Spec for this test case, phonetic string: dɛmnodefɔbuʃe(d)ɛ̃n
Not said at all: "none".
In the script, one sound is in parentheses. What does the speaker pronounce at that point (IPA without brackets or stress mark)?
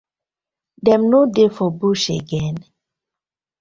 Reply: ɡ